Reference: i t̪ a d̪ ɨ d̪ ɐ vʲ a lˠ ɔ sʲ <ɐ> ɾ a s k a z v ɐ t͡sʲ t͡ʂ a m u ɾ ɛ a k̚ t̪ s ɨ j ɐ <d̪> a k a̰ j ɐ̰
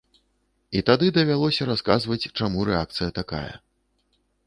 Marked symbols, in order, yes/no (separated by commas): yes, no